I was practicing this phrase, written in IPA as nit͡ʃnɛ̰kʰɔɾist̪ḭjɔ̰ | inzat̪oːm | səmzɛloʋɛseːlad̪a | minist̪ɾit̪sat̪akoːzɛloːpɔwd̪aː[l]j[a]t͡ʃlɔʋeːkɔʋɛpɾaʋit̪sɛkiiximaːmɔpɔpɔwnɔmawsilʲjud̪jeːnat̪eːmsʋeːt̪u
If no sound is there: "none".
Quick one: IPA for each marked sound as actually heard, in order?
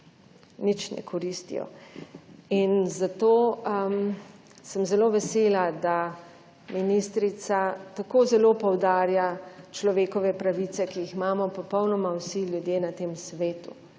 ɾ, a

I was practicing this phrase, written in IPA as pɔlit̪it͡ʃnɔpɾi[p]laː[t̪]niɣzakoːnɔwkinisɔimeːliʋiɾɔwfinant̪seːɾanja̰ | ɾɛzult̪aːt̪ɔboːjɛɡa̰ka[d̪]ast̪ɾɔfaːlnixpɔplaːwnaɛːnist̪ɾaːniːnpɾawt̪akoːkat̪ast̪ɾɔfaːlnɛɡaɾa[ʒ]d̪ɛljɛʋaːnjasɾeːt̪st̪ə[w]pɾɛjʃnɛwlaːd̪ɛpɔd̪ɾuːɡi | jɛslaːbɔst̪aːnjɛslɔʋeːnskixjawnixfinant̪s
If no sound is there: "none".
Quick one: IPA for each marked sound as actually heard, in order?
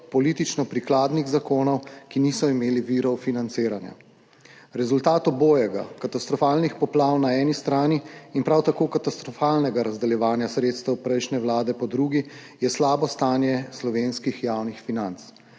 k, d̪, t̪, z, w

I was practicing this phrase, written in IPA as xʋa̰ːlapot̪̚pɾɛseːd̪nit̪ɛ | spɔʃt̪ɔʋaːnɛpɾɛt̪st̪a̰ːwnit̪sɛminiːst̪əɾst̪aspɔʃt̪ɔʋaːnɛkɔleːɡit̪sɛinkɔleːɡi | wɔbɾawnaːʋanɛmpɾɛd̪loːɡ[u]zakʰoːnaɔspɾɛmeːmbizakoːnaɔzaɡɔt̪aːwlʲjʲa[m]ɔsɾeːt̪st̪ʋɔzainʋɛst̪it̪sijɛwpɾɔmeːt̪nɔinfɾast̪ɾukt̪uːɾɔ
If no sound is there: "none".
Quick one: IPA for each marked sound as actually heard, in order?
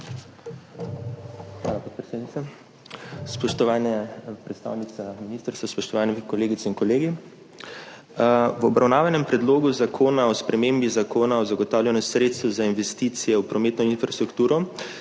u, n

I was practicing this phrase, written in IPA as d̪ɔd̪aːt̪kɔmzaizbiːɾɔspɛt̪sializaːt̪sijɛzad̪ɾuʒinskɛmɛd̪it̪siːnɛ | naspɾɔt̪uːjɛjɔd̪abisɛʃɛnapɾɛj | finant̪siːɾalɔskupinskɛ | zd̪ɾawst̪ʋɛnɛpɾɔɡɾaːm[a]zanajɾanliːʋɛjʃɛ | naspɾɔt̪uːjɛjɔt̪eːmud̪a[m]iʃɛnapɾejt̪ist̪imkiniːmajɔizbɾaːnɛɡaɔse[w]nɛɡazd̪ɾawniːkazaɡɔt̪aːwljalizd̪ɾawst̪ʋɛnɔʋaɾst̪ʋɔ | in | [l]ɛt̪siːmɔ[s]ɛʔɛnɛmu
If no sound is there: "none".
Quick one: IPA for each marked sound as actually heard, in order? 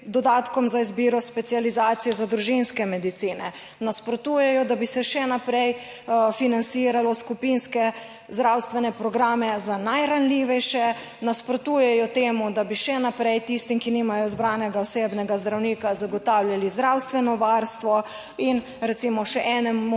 ɛ, b, b, ɾ, ʃ

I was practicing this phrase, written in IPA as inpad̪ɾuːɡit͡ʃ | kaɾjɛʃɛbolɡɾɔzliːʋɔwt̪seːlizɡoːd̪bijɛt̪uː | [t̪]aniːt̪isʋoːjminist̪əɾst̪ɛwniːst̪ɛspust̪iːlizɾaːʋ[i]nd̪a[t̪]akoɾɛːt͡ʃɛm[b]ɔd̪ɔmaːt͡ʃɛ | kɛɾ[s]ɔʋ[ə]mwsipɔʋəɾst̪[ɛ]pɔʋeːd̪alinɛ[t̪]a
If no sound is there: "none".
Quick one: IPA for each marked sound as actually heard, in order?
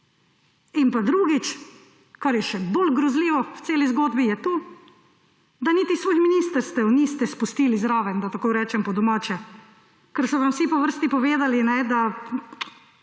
d̪, ɛ, t̪, p, s, a, i, d̪

